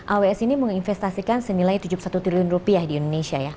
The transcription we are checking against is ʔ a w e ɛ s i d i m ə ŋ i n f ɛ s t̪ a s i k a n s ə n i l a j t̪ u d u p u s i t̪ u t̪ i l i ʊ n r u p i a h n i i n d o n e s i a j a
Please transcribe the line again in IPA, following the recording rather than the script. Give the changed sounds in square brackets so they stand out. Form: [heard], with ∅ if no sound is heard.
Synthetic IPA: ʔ a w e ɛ s i [n] i m ə ŋ i n f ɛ s t̪ a s i k a n s ə n i l a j t̪ u [d͡ʒ] u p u s [a] t̪ u t̪ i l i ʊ n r u p i a h [d] i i n d o n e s i a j a

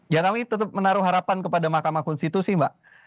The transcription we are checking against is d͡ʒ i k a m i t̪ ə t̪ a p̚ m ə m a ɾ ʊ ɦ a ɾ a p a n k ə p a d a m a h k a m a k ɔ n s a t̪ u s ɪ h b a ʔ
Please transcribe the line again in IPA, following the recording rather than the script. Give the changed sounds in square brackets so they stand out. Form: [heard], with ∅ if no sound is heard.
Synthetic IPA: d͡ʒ [a] k a m i t̪ ə t̪ [ə] p̚ m ə [n] a ɾ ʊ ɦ a ɾ a p a n k ə p a d a m a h k a m a k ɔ n s [i] t̪ u s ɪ h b a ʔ

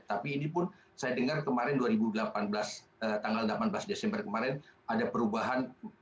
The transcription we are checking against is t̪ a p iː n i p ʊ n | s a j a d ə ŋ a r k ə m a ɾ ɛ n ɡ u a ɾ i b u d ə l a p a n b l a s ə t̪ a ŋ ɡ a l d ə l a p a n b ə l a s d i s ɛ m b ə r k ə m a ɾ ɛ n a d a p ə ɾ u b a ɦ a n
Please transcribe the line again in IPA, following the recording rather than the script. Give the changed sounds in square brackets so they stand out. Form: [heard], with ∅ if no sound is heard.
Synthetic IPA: t̪ a p iː n i p ʊ n | s a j a d ə ŋ a r k ə m a ɾ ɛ n [d] u a ɾ i b u d ə l a p a n b l a s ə t̪ a ŋ ɡ a l d ə l a p a n b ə l a s d [e] s ɛ m b ə r k ə m a ɾ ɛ n a d a p ə ɾ u b a ɦ a n

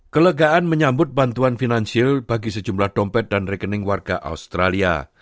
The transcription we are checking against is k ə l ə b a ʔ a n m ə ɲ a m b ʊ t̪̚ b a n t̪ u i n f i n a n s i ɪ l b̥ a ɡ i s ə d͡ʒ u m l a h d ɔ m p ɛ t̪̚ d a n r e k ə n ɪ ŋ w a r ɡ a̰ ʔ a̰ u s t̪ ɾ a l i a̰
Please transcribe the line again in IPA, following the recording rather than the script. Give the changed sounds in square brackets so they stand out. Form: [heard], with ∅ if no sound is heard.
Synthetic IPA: k ə l ə [ɡ] a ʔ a n m ə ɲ a m b ʊ t̪̚ b a n t̪ u [a] n f i n a n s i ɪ l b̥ a ɡ i s ə d͡ʒ u m l a h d ɔ m p ɛ t̪̚ d a n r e k ə n ɪ ŋ w a r ɡ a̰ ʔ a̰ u s t̪ ɾ a l i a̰

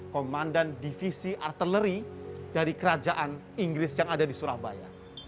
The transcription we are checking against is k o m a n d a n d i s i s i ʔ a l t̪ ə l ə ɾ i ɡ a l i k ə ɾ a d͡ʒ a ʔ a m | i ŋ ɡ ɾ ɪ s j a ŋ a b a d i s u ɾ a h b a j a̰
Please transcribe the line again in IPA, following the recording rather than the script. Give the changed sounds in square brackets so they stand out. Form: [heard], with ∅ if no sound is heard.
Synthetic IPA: k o m a n d a n d i [f] i s i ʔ a [r] t̪ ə l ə ɾ i [d] a [ɾ] i k ə ɾ a d͡ʒ a ʔ a [n] | i ŋ ɡ ɾ ɪ s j a ŋ a [d] a d i s u ɾ a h b a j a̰

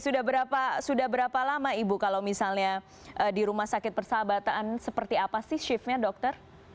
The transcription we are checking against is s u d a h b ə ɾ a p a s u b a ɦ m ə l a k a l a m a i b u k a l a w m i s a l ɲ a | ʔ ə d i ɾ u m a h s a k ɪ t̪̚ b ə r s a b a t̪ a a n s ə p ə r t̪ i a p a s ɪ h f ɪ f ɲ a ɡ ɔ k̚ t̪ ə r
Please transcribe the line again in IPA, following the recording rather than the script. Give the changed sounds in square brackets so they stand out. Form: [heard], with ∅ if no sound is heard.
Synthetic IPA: s u d a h b ə ɾ a p a s u [d] a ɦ [b] ə [ɾ] a [p] a l a m a i b u k a l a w m i s a l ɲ a | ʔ ə d i ɾ u m a h s a k ɪ t̪̚ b ə r s a b a t̪ a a n s ə p ə r t̪ i a p a s ɪ h [ʃ] ɪ f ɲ a [d] ɔ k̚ t̪ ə r

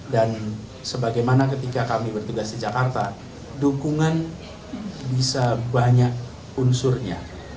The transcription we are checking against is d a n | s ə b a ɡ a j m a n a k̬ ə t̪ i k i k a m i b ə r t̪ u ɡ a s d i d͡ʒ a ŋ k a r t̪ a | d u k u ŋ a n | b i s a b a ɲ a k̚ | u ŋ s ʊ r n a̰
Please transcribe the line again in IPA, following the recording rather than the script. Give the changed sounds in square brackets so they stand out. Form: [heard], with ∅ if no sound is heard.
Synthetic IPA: d a n | s ə b a ɡ a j m a n a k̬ ə t̪ i k [a] k a m i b ə r t̪ u ɡ a s d i d͡ʒ a [∅] k a r t̪ a | d u k u ŋ a n | b i s a b a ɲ a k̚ | u [n] s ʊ r [ɲ] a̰

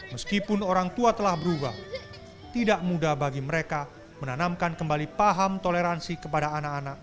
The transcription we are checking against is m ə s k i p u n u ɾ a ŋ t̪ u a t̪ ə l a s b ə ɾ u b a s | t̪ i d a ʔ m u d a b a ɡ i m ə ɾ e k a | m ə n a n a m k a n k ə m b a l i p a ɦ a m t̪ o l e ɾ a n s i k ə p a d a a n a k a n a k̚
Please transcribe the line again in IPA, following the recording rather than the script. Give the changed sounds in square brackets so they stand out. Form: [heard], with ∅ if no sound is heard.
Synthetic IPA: m ə s k i p [ʊ] n [o] ɾ a ŋ t̪ u a t̪ ə l a [h] b ə ɾ u b a [h] | t̪ i d a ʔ m u d a b a ɡ i m ə ɾ e k a | m ə n a n a m k a n k ə m b a l i p a ɦ a m t̪ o l e ɾ a n s i k ə p a d a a n a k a n a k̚

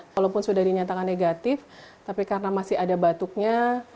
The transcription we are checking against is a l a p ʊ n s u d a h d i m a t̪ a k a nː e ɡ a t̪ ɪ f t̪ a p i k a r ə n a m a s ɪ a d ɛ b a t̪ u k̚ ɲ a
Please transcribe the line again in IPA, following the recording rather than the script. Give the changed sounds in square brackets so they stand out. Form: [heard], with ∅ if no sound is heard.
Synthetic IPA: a l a p ʊ n s u d a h d i [ɲ] a t̪ a k a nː e ɡ a t̪ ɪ f t̪ a p i k a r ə n a m a s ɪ a d [a] b a t̪ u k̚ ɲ a

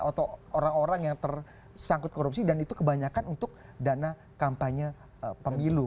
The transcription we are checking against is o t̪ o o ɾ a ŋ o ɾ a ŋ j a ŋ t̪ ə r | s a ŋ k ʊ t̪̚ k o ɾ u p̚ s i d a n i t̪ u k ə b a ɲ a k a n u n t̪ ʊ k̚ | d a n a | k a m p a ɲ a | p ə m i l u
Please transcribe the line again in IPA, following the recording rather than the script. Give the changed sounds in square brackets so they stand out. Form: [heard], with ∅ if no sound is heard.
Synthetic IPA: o t̪ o o ɾ a ŋ o ɾ a ŋ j a ŋ t̪ ə r | s a ŋ k ʊ t̪̚ k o ɾ u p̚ s i d a n i t̪ u k ə b a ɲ a k a n u n t̪ ʊ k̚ | d a n a | k a m p a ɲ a | p ə m i l u

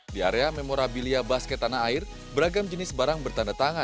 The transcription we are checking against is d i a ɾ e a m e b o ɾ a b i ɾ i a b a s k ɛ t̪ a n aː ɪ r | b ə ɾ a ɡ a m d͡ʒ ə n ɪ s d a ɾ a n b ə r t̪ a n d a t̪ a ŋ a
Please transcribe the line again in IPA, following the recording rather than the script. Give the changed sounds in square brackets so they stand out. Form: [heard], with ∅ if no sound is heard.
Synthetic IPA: d i a ɾ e a m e [m] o ɾ a b i [l] i a b a s k ɛ t̪ a n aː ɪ r | b ə ɾ a ɡ a m d͡ʒ ə n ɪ s [b] a ɾ a [ŋ] b ə r t̪ a n d a t̪ a ŋ a

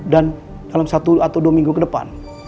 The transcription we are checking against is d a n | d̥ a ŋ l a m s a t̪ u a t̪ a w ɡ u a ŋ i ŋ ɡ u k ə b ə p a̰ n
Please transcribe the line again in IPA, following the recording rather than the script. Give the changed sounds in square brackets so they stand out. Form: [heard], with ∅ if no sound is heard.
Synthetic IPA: d a n | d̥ a [∅] l a m s a t̪ u a t̪ a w [d] u a [m] i ŋ ɡ u k ə [d] ə p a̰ n

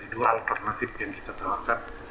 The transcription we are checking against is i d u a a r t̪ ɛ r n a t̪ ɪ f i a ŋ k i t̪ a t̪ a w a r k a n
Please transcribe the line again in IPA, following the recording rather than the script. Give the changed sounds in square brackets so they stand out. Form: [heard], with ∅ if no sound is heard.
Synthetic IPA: i d u a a [l] t̪ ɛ r n a t̪ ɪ f [j] a ŋ k i t̪ a t̪ a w a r k a n

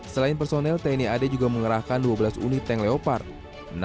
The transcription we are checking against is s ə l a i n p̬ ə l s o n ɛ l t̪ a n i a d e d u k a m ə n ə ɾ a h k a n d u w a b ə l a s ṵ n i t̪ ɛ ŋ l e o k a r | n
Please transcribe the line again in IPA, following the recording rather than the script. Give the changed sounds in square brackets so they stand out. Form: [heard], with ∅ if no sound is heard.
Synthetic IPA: s ə l a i n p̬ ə [r] s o n ɛ l t̪ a n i a d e [d͡ʒ] u [ɡ] a m ə [ŋ] ə ɾ a h k a n d u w a b ə l a s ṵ n i t̪ ɛ ŋ l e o [p] a r | n

